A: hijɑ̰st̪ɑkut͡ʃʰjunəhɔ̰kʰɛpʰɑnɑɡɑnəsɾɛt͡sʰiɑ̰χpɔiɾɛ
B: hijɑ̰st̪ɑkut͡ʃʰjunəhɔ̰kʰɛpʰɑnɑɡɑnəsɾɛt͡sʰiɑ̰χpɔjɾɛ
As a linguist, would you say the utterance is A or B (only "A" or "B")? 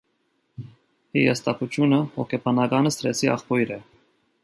B